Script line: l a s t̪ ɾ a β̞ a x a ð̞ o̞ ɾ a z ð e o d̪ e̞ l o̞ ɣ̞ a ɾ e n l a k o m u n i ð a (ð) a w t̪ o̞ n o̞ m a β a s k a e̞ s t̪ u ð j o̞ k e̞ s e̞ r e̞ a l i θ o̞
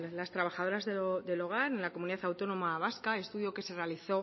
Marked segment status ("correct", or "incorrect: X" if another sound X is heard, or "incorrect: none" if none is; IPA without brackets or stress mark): incorrect: θ